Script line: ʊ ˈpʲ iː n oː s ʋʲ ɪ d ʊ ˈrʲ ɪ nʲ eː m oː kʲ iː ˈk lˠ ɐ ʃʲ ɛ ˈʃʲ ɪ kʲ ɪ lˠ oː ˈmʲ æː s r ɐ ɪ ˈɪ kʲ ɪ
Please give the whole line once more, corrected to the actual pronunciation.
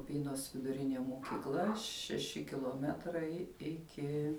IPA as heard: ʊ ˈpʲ iː n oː s ʋʲ ɪ d ʊ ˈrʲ ɪ nʲ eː m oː kʲ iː ˈk lˠ ɐ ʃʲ ɛ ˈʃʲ ɪ kʲ ɪ lˠ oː ˈmʲ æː t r ɐ ɪ ˈɪ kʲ ɪ